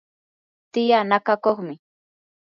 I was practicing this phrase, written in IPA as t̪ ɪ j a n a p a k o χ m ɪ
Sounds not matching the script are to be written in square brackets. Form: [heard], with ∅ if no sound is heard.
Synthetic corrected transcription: t̪ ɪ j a n a [k] a k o χ m ɪ